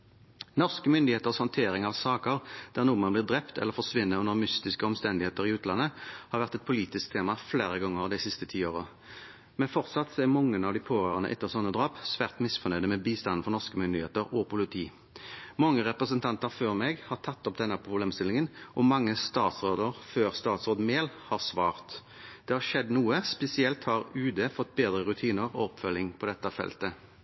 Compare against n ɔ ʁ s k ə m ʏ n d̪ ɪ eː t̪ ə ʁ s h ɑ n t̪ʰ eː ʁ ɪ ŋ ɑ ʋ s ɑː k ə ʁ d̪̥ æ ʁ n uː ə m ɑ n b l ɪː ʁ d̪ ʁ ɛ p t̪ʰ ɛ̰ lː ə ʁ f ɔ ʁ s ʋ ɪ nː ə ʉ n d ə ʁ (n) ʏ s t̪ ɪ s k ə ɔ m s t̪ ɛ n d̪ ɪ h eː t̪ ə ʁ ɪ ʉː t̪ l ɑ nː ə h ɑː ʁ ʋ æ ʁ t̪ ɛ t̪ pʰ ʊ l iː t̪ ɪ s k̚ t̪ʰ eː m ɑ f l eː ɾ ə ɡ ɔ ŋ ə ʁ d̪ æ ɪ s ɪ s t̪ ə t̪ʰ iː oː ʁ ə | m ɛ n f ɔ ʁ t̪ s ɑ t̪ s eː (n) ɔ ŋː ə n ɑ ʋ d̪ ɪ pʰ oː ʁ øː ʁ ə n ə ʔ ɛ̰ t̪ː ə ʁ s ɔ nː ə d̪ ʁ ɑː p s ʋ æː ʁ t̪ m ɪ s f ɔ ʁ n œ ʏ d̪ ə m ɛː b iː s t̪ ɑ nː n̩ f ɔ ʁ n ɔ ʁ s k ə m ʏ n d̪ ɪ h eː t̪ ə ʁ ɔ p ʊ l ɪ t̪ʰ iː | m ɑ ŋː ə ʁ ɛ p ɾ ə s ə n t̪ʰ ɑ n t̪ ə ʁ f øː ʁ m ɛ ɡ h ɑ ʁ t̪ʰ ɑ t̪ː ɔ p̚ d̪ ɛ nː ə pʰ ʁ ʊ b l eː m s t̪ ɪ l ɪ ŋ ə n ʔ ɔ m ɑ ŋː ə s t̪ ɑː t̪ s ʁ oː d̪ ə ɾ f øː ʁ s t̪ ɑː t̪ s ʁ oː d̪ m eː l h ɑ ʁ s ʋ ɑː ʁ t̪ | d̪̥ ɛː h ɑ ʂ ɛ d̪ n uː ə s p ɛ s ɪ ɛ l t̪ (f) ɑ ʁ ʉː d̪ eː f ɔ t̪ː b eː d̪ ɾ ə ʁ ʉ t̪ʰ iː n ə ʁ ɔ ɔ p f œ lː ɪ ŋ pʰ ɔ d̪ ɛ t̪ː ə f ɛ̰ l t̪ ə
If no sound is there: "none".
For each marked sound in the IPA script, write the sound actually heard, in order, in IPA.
m, m, h

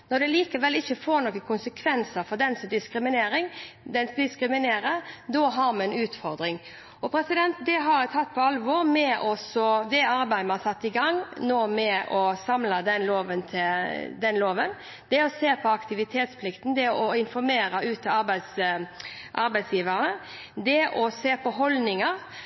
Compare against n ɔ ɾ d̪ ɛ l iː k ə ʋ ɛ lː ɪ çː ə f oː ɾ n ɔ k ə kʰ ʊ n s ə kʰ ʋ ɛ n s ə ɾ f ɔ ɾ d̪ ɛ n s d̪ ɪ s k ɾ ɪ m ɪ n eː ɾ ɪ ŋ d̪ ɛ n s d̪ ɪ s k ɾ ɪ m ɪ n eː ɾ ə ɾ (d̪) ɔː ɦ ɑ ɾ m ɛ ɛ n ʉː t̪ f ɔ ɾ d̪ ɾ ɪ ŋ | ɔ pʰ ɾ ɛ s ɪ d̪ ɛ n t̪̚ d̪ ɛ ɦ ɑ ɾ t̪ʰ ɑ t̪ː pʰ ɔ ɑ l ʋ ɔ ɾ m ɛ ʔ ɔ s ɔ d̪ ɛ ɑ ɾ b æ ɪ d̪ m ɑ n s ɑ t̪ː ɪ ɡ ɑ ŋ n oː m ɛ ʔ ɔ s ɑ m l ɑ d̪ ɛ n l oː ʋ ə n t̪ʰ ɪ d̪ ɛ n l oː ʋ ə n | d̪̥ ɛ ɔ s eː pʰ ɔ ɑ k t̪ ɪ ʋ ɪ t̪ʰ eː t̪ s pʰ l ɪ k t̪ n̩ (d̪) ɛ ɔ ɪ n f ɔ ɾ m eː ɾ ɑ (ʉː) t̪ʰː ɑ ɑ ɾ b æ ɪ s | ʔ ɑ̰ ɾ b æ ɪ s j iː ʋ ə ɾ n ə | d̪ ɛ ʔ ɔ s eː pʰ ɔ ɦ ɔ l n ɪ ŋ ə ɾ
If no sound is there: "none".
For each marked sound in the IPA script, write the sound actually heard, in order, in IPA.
d̪, d̪, ʉː

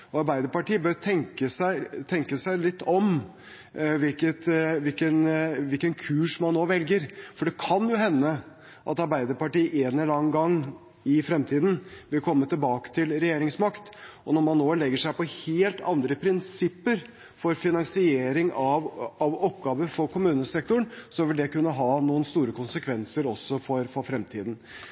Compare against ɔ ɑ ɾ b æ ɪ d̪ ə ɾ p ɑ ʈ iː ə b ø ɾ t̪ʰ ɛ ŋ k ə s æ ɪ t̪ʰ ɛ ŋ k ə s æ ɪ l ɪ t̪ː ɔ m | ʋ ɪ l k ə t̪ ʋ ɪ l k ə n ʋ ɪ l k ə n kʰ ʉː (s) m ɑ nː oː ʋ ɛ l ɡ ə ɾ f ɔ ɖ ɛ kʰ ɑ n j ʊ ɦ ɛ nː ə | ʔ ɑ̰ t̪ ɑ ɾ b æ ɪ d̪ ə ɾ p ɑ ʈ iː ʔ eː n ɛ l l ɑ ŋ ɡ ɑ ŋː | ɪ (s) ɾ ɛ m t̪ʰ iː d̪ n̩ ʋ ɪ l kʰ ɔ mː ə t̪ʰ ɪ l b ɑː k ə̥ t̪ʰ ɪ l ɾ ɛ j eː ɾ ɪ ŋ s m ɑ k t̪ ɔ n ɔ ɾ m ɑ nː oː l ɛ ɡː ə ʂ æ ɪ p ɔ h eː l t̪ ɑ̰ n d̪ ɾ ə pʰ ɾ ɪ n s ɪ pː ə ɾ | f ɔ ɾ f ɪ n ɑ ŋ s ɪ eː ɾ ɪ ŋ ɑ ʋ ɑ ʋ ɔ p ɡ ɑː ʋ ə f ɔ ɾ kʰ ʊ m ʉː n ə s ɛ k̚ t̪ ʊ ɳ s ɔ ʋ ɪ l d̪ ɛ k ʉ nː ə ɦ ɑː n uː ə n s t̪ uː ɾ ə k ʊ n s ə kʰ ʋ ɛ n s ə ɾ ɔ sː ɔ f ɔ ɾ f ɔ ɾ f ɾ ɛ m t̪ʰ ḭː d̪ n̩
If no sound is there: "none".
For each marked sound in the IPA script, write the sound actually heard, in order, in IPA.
ʂ, f

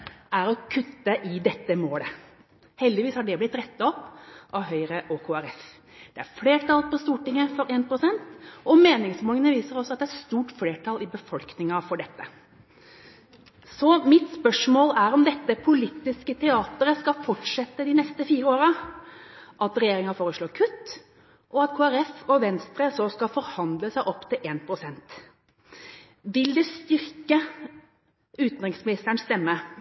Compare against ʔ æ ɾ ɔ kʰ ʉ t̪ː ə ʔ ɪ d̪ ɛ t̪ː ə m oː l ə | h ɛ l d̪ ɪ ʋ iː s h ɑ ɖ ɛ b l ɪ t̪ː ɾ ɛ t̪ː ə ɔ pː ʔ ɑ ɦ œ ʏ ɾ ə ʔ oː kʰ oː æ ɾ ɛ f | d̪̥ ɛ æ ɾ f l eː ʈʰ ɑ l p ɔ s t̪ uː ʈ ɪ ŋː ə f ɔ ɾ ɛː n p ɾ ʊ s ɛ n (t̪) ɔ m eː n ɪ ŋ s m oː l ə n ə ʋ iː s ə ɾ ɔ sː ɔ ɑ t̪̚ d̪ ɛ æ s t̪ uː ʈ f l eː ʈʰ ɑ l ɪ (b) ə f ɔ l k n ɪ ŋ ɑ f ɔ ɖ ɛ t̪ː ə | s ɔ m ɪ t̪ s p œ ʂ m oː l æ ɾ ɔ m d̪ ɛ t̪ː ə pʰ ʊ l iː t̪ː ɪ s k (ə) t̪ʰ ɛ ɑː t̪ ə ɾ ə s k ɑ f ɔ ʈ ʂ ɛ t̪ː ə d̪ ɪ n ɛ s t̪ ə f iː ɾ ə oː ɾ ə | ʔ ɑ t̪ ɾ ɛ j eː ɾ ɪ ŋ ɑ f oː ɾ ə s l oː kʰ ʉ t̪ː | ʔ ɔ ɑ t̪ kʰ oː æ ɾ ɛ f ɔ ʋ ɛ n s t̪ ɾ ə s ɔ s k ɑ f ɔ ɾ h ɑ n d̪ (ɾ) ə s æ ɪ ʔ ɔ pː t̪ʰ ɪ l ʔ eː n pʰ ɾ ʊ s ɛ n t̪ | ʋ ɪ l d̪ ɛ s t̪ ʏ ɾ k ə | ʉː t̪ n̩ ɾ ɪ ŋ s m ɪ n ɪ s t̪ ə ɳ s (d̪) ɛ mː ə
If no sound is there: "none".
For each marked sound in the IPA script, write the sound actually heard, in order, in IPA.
t̪, b, ə, l, t̪

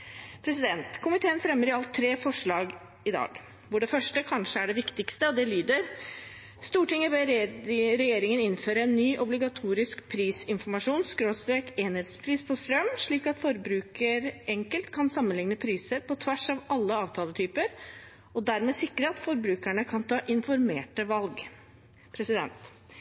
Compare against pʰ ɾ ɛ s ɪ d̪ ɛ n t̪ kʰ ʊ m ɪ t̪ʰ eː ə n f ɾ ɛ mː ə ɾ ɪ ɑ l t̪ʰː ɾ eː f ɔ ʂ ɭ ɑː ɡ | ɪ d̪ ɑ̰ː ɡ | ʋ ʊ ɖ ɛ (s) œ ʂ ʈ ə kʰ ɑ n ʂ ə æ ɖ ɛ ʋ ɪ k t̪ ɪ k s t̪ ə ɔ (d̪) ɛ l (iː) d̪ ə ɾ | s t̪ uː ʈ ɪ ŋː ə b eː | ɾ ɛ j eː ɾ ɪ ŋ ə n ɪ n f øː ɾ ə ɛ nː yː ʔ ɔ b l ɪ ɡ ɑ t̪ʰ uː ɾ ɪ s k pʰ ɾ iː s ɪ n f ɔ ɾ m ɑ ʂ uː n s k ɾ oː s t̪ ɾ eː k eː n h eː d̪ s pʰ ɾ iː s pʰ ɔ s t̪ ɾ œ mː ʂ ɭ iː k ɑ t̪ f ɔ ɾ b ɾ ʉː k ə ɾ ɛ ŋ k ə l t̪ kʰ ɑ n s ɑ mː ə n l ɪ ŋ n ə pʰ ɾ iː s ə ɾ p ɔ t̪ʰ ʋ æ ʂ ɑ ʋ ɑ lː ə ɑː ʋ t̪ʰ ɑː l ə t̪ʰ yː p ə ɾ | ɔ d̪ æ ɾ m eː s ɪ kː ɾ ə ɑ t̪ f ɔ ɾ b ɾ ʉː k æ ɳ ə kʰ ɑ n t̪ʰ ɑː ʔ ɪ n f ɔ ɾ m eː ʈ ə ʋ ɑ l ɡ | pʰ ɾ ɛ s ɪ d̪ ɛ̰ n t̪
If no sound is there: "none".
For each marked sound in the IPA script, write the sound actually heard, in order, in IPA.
f, d̪, yː

